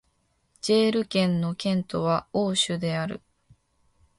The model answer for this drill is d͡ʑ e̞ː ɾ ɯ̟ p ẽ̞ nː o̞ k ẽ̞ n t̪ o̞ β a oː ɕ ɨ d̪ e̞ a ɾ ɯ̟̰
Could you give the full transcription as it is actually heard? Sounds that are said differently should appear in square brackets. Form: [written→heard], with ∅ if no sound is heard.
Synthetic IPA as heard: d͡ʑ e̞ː ɾ ɯ̟ [p→k] ẽ̞ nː o̞ k ẽ̞ n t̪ o̞ β a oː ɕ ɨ d̪ e̞ a ɾ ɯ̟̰